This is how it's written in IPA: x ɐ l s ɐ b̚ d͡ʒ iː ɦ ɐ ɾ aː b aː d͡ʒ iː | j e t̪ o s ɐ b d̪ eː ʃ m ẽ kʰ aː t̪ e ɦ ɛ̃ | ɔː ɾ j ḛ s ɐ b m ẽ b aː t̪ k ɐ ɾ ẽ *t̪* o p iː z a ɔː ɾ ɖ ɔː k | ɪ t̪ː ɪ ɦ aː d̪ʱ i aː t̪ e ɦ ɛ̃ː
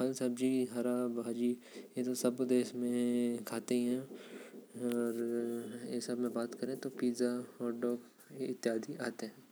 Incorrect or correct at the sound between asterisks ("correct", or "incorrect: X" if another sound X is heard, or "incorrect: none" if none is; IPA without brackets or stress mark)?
correct